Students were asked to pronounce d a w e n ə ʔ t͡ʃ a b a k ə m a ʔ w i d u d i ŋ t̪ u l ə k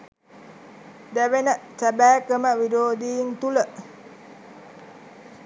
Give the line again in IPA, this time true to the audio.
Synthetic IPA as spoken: d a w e n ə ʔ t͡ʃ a b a k ə m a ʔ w i d o d i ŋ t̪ u l ə ʔ